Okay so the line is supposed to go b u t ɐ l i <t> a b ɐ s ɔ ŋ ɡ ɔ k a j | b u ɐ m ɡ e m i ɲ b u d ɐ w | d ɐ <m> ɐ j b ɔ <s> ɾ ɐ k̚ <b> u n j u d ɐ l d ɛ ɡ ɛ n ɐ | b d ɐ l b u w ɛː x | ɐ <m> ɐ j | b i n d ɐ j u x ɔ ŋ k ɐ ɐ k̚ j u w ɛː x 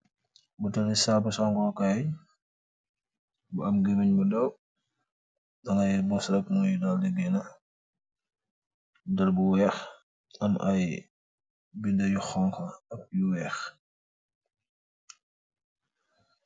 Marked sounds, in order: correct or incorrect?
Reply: incorrect, incorrect, correct, incorrect, correct

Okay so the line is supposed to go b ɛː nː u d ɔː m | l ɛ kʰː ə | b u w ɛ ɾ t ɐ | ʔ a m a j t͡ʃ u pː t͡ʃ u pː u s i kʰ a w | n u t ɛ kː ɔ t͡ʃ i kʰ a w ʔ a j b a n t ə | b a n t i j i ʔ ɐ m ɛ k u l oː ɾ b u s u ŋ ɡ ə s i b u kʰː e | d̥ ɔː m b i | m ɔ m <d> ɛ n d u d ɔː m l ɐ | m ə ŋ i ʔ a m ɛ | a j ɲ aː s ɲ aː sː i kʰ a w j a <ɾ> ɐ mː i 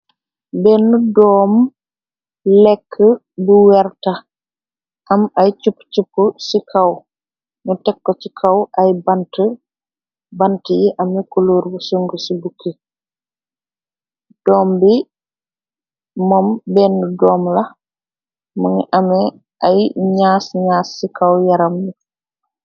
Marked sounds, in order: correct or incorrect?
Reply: incorrect, correct

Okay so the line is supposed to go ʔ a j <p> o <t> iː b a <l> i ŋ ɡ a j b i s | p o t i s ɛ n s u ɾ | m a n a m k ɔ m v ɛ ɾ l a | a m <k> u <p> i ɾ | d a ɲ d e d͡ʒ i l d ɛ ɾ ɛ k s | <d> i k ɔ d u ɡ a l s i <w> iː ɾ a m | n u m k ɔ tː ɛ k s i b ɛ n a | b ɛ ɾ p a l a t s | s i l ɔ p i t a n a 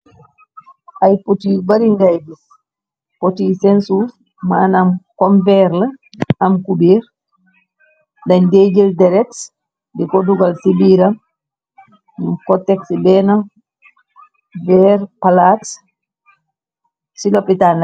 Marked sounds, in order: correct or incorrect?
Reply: correct, correct, incorrect, correct, incorrect, correct, incorrect

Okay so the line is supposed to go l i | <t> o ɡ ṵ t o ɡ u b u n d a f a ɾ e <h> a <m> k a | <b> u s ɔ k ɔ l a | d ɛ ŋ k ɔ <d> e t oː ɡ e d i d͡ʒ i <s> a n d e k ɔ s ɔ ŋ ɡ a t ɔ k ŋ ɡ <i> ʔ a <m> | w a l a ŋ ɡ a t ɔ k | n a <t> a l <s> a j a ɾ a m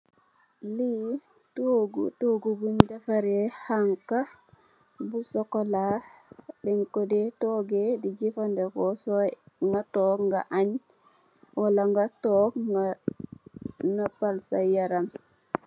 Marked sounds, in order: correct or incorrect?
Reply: correct, correct, incorrect, correct, correct, incorrect, incorrect, incorrect, incorrect, correct

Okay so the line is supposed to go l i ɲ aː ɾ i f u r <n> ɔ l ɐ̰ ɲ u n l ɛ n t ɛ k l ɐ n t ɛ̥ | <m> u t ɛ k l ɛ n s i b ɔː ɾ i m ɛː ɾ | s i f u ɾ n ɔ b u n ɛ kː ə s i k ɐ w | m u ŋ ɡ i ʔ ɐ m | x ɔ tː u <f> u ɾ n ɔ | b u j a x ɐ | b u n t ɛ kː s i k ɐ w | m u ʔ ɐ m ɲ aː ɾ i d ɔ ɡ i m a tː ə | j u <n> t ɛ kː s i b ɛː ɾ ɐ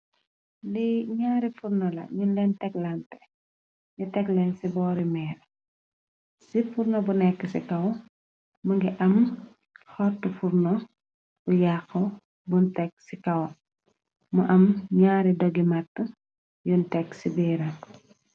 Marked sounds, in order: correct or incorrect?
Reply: correct, incorrect, correct, correct

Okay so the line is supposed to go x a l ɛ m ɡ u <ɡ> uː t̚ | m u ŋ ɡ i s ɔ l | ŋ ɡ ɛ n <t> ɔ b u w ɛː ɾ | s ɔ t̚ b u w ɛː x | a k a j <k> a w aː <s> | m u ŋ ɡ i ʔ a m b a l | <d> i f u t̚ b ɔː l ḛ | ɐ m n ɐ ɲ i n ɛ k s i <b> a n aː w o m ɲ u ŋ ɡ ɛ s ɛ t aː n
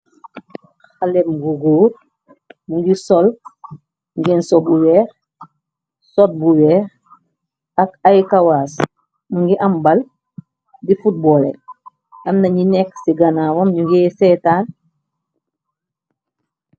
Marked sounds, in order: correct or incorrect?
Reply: correct, incorrect, correct, correct, correct, incorrect

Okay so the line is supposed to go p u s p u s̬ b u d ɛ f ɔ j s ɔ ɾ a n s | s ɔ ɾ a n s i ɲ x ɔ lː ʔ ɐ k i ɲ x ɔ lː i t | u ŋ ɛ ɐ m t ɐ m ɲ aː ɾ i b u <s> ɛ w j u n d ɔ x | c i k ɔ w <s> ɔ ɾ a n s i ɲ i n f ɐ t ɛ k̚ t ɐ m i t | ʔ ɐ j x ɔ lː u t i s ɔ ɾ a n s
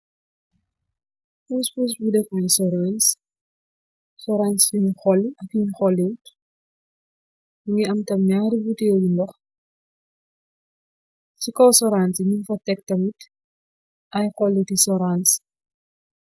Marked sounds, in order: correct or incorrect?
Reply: incorrect, correct

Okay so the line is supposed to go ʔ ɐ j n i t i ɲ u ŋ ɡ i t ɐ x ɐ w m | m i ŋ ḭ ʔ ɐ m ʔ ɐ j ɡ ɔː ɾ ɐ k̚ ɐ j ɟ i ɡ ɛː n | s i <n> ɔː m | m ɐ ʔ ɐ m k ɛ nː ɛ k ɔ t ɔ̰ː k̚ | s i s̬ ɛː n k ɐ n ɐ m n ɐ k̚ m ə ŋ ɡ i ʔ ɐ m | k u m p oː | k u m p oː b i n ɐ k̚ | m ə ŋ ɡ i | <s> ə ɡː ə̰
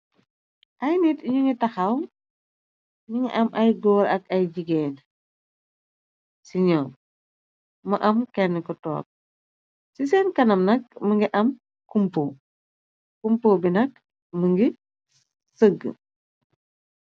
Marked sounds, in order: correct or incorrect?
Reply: incorrect, correct

